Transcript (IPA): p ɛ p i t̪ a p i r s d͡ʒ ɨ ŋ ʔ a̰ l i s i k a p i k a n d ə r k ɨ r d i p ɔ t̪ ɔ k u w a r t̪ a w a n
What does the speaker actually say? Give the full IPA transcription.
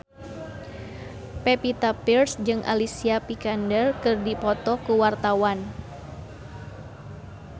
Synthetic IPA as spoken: p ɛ p i t̪ a p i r s d͡ʒ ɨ ŋ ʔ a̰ l i s i a p i k a n d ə r k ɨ r d i p ɔ t̪ ɔ k u w a r t̪ a w a n

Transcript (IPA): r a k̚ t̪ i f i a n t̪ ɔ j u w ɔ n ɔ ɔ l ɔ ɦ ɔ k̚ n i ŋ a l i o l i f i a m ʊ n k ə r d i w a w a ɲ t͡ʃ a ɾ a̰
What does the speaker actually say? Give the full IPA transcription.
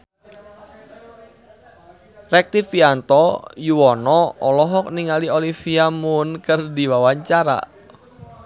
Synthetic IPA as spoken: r ɛ k̚ t̪ i f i a n t̪ ɔ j u w ɔ n ɔ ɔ l ɔ ɦ ɔ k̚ n i ŋ a l i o l i f i a m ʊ n k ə r d i w a w a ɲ t͡ʃ a ɾ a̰

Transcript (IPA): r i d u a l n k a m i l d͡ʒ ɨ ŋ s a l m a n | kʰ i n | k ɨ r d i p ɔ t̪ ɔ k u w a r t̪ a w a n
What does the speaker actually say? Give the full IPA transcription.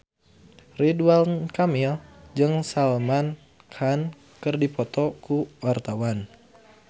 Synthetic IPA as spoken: r i d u a l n k a m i l d͡ʒ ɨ ŋ s a l m a n | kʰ a n | k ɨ r d i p ɔ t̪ ɔ k u w a r t̪ a w a n

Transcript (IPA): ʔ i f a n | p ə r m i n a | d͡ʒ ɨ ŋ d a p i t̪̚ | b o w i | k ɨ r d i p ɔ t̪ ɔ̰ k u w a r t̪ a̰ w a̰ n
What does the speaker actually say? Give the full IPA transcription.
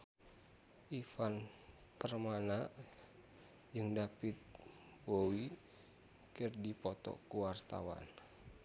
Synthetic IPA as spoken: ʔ i f a n | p ə r m a n a | d͡ʒ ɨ ŋ d a p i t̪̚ | b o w i | k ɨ r d i p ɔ t̪ ɔ̰ k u w a r t̪ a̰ w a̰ n

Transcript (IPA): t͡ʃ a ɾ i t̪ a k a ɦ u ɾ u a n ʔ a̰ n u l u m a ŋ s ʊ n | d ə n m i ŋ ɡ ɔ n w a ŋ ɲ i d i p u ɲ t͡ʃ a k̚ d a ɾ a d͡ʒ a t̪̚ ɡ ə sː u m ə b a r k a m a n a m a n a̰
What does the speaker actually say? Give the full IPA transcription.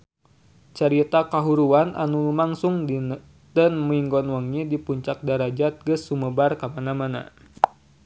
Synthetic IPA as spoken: t͡ʃ a ɾ i t̪ a k a ɦ u ɾ u a n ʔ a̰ n u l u m a ŋ s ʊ ŋ | d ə n m i ŋ ɡ ɔ n w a ŋ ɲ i d i p u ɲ t͡ʃ a k̚ d a ɾ a d͡ʒ a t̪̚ ɡ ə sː u m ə b a r k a m a n a m a n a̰

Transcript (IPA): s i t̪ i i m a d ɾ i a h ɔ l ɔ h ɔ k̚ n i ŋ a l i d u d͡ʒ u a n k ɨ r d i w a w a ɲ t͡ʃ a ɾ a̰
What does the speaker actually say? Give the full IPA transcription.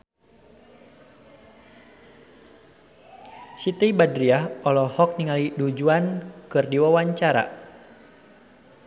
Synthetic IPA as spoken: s i t̪ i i b a d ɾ i a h ɔ l ɔ h ɔ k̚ n i ŋ a l i d u d͡ʒ u a n k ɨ r d i w a w a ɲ t͡ʃ a ɾ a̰

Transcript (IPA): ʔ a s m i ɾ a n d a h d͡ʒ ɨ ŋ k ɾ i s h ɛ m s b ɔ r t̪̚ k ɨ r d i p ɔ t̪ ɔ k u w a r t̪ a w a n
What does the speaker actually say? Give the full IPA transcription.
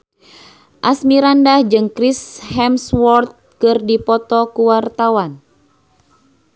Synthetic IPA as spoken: ʔ a s m i ɾ a n d a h d͡ʒ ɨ ŋ k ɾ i s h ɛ m s w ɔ r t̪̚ k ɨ r d i p ɔ t̪ ɔ k u w a r t̪ a w a n

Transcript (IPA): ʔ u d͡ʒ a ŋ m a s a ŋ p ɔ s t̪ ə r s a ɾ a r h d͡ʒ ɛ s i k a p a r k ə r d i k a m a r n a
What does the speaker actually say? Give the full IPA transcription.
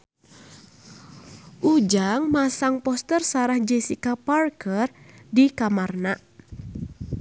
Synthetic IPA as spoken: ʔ u d͡ʒ a ŋ m a s a ŋ p ɔ s t̪ ə r s a ɾ a h d͡ʒ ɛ s i k a p a r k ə r d i k a m a r n a

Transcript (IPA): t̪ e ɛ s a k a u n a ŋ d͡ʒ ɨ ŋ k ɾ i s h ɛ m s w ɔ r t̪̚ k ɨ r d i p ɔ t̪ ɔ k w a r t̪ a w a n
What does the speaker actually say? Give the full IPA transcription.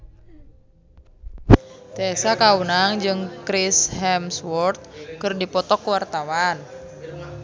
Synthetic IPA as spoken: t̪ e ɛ s a k a u n a ŋ d͡ʒ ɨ ŋ k ɾ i s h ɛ m s w ɔ r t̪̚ k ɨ r d i p ɔ t̪ ɔ k w a r t̪ a w a n

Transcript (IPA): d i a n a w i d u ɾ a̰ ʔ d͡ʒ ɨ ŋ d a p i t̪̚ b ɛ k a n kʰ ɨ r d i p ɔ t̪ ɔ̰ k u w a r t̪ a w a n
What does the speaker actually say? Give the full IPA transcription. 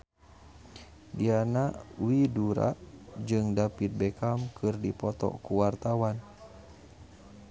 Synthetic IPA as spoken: d i a n a w i d u ɾ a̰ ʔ d͡ʒ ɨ ŋ d a p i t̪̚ b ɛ k a m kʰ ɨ r d i p ɔ t̪ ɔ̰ k u w a r t̪ a w a n

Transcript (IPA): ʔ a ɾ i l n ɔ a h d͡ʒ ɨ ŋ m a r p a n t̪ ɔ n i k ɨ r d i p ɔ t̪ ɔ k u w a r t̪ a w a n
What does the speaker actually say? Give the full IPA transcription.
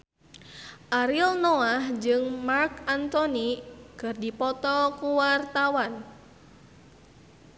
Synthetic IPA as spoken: ʔ a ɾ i l n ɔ a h d͡ʒ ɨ ŋ m a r k a n t̪ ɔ n i k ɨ r d i p ɔ t̪ ɔ k u w a r t̪ a w a n

